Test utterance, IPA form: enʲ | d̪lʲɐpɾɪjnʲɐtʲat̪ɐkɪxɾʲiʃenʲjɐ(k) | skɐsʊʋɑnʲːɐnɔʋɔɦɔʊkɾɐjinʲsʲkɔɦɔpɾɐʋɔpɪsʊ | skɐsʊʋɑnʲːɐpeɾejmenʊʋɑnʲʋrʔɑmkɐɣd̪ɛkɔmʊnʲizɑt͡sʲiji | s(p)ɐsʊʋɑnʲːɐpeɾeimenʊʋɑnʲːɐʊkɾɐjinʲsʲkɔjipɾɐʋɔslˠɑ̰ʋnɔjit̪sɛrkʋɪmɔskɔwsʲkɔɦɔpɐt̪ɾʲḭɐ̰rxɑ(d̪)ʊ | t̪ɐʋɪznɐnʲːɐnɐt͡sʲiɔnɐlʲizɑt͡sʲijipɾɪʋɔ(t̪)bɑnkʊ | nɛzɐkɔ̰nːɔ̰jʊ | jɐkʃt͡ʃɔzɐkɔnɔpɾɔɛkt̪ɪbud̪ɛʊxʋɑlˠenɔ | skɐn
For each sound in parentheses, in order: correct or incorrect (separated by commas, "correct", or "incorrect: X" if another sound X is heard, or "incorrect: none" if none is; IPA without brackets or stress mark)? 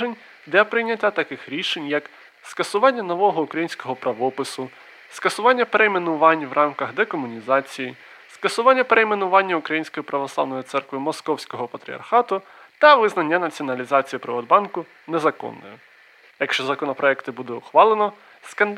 correct, incorrect: k, incorrect: t̪, incorrect: d̪